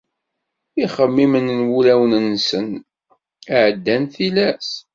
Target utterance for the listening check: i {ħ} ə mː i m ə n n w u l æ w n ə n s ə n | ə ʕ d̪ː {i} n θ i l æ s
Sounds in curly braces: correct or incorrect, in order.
incorrect: χ, incorrect: æ

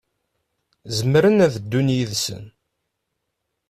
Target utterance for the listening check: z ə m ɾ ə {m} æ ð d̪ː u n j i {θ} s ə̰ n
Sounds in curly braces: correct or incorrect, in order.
incorrect: n, incorrect: ð

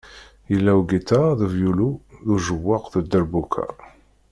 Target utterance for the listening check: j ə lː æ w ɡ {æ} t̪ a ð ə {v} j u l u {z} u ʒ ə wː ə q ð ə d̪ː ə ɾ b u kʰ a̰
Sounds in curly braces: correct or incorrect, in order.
incorrect: i, correct, incorrect: ð

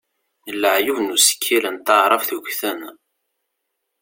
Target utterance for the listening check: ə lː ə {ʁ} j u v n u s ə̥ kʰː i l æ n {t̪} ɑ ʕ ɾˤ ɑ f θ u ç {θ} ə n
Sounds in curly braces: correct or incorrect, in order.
incorrect: ʕ, correct, correct

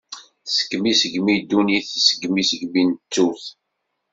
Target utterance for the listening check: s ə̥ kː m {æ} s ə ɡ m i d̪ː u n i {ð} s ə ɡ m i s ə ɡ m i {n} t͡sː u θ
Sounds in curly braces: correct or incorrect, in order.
incorrect: i, incorrect: θ, correct

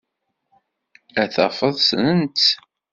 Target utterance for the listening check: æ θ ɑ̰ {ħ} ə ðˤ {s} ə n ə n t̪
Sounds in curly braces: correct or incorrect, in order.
incorrect: f, correct

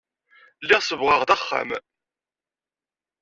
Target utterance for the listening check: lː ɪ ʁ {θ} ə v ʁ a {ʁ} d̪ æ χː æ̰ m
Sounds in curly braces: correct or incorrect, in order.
incorrect: s, correct

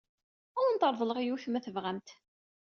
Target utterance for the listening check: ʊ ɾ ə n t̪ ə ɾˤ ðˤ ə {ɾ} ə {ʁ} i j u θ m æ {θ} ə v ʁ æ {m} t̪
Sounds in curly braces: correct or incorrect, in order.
incorrect: l, correct, correct, correct

